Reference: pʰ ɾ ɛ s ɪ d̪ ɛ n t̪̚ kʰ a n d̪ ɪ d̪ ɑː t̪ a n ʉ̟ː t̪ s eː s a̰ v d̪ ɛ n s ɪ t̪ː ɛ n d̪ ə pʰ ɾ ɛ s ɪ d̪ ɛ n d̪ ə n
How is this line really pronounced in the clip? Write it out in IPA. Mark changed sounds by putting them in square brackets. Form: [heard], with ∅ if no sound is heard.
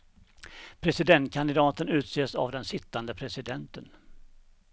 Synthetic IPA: pʰ ɾ ɛ s ɪ d̪ ɛ n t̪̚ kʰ a n d̪ ɪ d̪ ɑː t̪ [ə] n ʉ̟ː t̪ s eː s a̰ v d̪ ɛ n s ɪ t̪ː [a] n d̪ ə pʰ ɾ ɛ s ɪ d̪ ɛ n [t̪] ə n